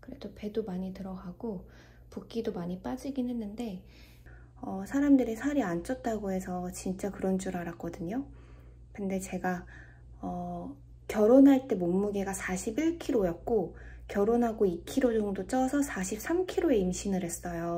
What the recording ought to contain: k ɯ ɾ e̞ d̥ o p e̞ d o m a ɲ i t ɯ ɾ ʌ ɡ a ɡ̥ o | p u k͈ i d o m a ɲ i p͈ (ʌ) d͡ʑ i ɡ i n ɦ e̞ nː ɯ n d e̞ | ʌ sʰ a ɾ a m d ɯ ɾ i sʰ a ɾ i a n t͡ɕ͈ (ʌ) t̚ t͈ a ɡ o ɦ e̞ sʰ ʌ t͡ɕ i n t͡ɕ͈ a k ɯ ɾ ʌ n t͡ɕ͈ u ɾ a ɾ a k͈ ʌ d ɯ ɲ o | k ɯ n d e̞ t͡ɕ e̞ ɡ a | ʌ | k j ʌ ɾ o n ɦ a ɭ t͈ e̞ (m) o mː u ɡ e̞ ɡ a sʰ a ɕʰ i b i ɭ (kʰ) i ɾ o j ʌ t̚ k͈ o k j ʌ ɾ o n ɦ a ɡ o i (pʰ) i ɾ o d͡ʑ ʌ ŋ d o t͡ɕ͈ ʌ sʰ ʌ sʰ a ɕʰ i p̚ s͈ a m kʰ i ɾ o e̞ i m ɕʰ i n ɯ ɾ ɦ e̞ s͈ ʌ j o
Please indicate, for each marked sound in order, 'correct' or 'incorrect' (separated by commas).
incorrect, correct, correct, correct, incorrect